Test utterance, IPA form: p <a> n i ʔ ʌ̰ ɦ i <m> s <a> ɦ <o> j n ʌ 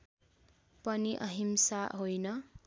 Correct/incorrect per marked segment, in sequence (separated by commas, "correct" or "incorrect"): incorrect, correct, correct, correct